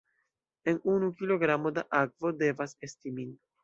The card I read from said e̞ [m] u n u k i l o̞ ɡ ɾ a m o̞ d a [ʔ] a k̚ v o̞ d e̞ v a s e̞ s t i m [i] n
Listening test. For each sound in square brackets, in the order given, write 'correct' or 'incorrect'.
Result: incorrect: n, correct, correct

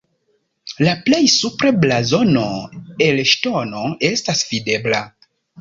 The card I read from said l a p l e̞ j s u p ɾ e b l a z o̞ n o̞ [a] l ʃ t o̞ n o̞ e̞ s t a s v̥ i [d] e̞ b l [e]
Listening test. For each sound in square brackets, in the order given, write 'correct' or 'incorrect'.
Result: incorrect: e, correct, incorrect: a

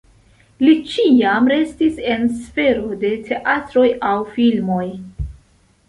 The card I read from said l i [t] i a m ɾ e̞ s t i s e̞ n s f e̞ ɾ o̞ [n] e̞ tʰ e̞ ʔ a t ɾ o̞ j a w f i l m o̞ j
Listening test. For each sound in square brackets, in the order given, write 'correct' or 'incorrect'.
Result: incorrect: t͡ʃ, incorrect: d

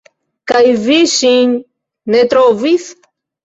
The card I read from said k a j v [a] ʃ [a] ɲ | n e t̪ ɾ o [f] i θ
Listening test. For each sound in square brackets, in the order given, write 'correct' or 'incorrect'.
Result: incorrect: i, incorrect: i, incorrect: v

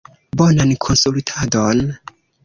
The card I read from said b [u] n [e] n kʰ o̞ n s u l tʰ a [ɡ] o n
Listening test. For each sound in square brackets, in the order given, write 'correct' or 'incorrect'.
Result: incorrect: o, incorrect: a, incorrect: d

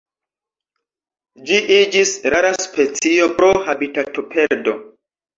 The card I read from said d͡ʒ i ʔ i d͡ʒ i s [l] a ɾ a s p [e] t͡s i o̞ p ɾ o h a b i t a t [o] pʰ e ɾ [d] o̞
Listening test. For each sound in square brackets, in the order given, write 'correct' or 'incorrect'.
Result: incorrect: ɾ, correct, correct, correct

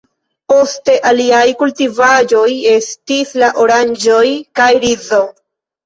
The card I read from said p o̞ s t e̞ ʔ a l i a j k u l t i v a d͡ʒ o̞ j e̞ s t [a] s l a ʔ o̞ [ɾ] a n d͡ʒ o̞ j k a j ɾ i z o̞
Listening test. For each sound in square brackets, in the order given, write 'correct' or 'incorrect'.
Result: incorrect: i, correct

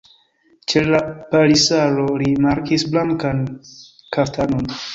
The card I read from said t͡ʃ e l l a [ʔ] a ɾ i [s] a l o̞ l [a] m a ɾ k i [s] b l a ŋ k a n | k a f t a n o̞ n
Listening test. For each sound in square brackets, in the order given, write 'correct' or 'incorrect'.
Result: incorrect: p, correct, incorrect: i, correct

